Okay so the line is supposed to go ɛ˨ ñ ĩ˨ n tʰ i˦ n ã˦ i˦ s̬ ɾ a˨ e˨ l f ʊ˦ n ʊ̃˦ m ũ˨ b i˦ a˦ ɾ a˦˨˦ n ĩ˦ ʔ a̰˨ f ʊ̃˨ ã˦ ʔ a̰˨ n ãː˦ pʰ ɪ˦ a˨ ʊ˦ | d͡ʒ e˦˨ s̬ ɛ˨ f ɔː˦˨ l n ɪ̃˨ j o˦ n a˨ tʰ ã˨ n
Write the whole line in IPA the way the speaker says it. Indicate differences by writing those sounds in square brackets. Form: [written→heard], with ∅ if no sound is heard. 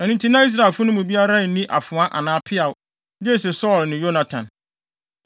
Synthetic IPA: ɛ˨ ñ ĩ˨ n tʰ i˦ n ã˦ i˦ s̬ ɾ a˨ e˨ l f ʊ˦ n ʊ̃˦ m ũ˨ b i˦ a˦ ɾ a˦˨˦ n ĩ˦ ʔ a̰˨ f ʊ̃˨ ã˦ ʔ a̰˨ n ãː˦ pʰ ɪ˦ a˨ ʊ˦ | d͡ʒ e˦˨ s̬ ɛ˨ [f→s] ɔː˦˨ l n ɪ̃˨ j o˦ n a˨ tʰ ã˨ n

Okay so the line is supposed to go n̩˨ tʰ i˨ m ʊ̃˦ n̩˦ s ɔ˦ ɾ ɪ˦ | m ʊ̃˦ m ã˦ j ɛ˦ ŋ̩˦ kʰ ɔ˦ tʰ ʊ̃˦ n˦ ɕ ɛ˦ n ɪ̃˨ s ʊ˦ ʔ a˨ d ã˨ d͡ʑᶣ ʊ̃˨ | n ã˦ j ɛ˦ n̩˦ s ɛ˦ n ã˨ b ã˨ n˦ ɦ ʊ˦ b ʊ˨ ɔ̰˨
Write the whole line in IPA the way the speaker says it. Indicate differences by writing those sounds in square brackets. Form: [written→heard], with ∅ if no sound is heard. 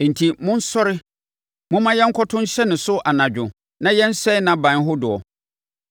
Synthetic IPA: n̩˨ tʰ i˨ m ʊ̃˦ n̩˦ s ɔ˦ ɾ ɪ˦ | m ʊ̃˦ m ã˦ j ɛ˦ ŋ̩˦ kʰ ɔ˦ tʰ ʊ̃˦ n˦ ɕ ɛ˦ n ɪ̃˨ s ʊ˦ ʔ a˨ [d→n] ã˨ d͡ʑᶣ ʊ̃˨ | n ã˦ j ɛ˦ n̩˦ s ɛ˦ n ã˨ b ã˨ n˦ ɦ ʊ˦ [b→d] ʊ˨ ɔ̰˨

